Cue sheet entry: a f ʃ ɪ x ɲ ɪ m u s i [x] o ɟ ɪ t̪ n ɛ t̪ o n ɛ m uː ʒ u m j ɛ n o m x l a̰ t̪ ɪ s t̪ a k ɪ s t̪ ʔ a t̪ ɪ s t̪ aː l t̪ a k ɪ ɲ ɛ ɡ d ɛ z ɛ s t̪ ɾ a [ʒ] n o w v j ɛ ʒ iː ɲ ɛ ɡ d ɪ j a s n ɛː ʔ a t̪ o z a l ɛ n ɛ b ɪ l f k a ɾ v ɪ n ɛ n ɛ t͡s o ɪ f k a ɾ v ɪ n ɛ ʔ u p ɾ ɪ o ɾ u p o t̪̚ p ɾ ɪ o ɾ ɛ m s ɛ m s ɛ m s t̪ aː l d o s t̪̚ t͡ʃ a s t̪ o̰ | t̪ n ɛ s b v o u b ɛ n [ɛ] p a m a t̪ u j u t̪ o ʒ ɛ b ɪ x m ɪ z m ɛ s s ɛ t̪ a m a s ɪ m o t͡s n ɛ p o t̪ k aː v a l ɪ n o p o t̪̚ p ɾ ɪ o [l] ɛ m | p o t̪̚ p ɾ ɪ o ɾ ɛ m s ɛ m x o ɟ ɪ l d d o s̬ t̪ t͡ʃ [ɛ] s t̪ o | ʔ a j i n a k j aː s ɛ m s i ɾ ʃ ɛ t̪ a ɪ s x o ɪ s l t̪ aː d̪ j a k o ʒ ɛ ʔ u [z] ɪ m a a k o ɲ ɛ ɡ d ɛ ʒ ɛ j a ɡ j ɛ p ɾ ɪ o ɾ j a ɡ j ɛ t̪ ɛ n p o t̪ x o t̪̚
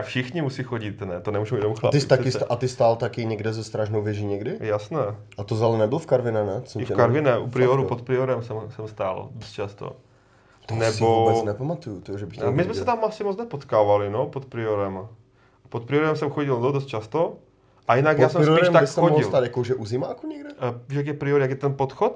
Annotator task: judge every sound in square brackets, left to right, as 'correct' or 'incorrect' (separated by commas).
correct, correct, correct, incorrect, incorrect, correct